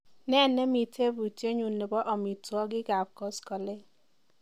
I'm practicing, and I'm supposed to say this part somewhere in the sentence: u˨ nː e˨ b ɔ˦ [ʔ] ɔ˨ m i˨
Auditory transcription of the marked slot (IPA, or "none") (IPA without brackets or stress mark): ʔ